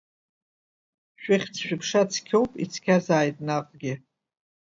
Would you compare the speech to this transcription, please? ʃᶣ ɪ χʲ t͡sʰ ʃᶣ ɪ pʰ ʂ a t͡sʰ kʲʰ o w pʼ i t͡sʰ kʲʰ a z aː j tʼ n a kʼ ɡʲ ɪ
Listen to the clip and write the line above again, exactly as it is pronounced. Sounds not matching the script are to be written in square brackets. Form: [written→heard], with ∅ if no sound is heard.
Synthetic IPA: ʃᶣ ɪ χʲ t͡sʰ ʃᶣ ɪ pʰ ʂ a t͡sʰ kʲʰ o w pʼ i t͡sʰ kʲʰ a z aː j tʼ n a [kʼ→qʼ] ɡʲ ɪ